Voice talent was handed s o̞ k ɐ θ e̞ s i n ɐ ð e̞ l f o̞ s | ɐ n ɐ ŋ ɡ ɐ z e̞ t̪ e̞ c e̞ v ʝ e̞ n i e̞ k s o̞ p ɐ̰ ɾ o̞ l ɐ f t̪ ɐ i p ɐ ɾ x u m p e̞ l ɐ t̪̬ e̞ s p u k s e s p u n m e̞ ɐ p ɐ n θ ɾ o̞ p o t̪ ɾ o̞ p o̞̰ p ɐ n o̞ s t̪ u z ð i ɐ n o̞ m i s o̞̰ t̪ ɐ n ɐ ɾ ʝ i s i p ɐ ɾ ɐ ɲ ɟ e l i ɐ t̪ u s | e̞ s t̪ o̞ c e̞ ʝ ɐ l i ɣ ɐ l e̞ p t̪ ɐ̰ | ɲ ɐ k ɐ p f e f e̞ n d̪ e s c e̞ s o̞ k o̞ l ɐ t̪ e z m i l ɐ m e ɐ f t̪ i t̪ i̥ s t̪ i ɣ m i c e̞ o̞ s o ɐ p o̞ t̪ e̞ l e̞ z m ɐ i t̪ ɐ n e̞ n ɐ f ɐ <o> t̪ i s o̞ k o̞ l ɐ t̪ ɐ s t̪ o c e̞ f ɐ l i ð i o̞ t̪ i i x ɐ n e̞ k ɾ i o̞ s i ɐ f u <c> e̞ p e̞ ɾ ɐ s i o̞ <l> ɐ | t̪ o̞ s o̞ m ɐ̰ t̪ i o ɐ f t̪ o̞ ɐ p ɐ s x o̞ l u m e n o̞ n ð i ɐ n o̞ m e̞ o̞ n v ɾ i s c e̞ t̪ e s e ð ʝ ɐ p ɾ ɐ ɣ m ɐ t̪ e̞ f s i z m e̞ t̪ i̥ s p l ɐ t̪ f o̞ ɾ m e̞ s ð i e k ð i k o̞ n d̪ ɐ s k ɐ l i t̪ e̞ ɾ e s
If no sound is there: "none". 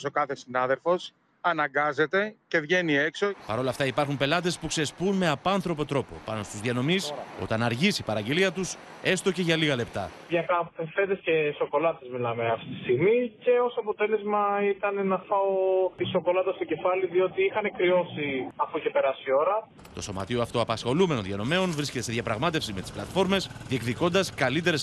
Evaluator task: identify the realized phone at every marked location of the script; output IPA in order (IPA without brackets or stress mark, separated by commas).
o, c, ɾ